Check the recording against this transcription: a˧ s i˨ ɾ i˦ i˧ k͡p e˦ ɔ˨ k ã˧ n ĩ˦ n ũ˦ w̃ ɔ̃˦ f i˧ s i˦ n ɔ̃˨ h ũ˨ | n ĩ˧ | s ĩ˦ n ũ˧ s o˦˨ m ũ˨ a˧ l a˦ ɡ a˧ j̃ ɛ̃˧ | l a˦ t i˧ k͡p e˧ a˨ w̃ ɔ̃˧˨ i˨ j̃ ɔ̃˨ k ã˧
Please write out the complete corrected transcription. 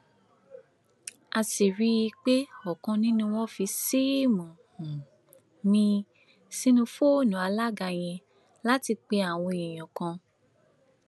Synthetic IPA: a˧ s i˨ ɾ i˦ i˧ k͡p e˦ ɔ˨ k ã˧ n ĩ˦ n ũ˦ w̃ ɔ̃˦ f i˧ s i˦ m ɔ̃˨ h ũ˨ | n ĩ˧ | s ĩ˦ n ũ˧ f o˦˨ n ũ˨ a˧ l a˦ ɡ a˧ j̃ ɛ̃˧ | l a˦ t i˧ k͡p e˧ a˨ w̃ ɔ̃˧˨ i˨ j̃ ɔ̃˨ k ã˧